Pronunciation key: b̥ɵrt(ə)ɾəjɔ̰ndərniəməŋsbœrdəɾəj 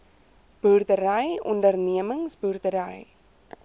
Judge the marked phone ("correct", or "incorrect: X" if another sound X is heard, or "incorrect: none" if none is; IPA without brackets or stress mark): correct